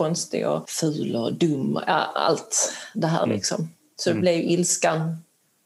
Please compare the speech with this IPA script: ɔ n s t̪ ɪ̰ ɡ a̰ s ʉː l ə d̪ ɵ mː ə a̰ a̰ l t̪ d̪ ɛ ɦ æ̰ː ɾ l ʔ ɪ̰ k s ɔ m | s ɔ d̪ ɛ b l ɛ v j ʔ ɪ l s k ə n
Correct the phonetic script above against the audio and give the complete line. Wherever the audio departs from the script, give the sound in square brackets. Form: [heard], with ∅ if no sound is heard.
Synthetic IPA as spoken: ɔ n s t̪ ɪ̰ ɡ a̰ [f] ʉː l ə d̪ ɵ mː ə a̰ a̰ l t̪ d̪ ɛ ɦ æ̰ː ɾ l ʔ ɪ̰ k s ɔ m | s ɔ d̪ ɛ b l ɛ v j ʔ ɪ l s k [a] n